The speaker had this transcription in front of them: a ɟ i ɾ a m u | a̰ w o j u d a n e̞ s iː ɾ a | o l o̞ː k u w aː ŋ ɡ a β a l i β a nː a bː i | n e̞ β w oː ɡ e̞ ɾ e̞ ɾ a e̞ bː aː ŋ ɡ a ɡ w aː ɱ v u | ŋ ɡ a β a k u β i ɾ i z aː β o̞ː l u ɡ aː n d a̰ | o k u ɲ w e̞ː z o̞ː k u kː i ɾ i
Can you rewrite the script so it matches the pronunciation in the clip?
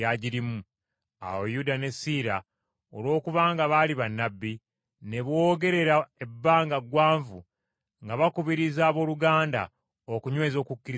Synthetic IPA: a ɟ i ɾ i m u | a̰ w o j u d a n e̞ s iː ɾ a | o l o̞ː k u β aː ŋ ɡ a β a l i β a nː a bː i | n e̞ β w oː ɡ e̞ ɾ e̞ ɾ a e̞ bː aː ŋ ɡ a ɡ w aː ɱ v u | ŋ ɡ a β a k u β i ɾ i z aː β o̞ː l u ɡ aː n d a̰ | o k u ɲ w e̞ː z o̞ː k u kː i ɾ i